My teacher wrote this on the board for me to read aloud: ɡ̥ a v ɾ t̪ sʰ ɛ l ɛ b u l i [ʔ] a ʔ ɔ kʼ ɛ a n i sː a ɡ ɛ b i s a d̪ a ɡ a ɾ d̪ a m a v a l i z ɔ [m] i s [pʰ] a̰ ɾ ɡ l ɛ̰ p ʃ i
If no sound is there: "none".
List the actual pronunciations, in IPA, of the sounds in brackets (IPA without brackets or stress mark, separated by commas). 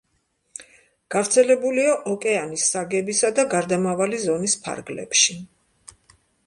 none, n, pʰ